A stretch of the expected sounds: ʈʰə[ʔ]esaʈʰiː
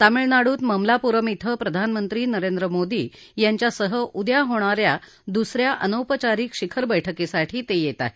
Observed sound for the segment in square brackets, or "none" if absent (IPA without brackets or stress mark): k